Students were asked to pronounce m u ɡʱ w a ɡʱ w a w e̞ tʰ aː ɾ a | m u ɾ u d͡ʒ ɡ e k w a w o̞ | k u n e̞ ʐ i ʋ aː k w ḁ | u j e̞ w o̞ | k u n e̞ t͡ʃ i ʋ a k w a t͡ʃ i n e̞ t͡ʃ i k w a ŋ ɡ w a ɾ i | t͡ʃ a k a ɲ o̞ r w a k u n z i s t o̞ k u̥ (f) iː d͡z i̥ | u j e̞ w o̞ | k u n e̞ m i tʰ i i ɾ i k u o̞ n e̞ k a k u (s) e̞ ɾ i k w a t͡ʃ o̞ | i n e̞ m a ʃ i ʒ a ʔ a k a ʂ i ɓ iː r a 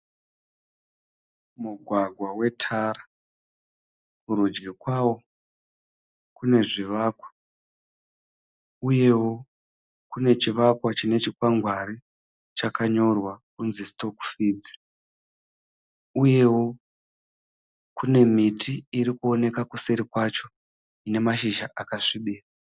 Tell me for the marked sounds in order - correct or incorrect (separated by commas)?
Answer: correct, correct